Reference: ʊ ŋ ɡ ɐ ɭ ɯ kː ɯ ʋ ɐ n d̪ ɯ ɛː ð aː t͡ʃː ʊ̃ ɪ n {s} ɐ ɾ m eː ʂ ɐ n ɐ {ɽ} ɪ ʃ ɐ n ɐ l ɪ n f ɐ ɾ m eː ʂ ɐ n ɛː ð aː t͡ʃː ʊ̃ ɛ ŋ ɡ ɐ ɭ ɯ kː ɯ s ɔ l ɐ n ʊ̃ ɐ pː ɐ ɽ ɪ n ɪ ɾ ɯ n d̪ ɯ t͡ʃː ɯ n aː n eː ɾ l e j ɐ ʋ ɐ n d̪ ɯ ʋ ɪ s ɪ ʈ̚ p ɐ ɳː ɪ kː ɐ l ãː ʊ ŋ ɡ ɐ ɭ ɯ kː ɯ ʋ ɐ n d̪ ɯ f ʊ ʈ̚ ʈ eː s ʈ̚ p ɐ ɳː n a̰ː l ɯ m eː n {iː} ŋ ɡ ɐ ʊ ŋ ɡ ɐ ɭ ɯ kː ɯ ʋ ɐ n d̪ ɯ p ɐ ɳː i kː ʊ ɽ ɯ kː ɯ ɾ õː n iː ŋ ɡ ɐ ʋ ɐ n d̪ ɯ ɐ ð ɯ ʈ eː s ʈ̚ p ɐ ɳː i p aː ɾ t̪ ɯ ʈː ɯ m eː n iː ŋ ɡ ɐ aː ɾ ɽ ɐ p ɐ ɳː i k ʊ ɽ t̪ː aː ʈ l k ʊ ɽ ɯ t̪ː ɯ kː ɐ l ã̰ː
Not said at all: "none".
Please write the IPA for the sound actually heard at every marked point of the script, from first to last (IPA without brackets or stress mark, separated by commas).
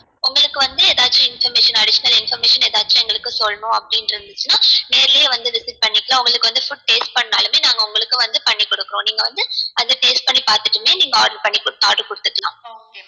f, ɽ, aː